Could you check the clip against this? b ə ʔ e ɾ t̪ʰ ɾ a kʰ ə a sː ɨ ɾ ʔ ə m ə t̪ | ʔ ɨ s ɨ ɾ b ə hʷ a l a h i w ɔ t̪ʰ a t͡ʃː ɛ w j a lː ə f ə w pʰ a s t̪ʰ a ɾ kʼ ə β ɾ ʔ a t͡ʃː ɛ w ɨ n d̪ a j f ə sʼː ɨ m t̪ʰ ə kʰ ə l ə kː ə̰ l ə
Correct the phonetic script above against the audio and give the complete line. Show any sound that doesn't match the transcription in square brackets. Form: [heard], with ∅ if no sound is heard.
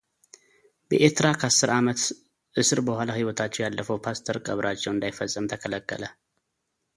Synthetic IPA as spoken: b ə ʔ e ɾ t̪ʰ ɾ a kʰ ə a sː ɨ ɾ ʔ [a] m ə t̪ | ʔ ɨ s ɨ ɾ b ə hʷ a l a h i w ɔ t̪ʰ a t͡ʃː ɛ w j a lː ə f ə w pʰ a s t̪ʰ [ə] ɾ kʼ ə β ɾ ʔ a t͡ʃː ɛ w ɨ n d̪ a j f ə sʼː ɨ m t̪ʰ ə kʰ ə l ə kː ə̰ l ə